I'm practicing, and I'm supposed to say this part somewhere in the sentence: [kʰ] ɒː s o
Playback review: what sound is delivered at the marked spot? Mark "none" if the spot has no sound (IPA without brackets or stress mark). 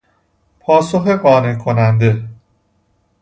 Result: pʰ